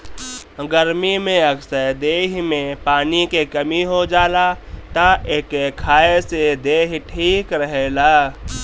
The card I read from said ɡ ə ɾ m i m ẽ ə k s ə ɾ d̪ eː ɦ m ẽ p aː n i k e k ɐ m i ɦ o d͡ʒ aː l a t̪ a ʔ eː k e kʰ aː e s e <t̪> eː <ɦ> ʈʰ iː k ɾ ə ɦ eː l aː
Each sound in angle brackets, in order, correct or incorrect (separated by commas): incorrect, correct